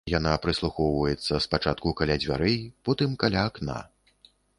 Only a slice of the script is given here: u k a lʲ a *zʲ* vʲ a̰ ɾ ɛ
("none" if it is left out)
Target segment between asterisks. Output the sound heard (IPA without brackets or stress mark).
d͡zʲ